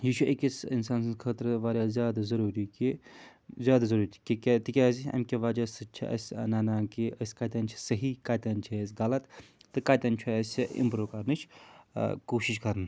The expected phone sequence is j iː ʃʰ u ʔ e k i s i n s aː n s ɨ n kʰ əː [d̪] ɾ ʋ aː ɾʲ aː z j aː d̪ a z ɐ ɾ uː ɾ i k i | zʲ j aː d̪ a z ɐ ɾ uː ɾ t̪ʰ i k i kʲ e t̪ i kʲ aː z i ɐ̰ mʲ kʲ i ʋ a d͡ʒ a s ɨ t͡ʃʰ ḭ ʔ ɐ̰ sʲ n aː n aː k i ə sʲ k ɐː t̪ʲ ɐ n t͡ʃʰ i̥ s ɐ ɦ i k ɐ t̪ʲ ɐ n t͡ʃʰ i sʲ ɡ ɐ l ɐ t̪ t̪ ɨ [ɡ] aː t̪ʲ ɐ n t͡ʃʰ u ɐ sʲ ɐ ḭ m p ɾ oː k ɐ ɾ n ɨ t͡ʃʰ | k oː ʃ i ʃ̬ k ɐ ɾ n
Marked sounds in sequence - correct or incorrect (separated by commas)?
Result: incorrect, incorrect